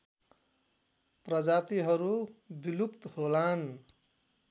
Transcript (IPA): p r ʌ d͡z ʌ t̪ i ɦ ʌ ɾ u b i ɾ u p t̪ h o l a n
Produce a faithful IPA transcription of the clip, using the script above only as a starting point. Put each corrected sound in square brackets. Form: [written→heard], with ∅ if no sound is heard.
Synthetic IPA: p r ʌ d͡z [ʌ→a] t̪ i ɦ ʌ ɾ u b i [ɾ→l] u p t̪ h o l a n